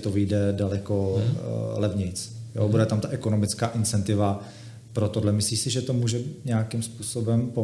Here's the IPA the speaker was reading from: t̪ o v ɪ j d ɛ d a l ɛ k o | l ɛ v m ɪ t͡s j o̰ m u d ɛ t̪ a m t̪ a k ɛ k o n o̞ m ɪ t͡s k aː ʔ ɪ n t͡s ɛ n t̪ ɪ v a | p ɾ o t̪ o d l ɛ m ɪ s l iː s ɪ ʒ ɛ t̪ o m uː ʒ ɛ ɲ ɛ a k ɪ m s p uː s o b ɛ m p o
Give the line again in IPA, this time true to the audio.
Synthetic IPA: t̪ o v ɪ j d ɛ d a l ɛ k o | l ɛ v ɲ ɪ t͡s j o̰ b u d ɛ t̪ a m t̪ a ʔ ɛ k o n o̞ m ɪ t͡s k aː ʔ ɪ n t͡s ɛ n t̪ ɪ v a | p ɾ o t̪ o d l ɛ m ɪ s l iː s ɪ ʒ ɛ t̪ o m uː ʒ ɛ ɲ ɛ a k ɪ m s p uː s o b ɛ m p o